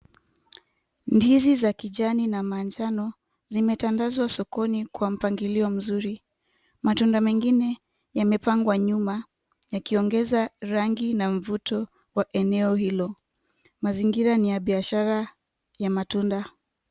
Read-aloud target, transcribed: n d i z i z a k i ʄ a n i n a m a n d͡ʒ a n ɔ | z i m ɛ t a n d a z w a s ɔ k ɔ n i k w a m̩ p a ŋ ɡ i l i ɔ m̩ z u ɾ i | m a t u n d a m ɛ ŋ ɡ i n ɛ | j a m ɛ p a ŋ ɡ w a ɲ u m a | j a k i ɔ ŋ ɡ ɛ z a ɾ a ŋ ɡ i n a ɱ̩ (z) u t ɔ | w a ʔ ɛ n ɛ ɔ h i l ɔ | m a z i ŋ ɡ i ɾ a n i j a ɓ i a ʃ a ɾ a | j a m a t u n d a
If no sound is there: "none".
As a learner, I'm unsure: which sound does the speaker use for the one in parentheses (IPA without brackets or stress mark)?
v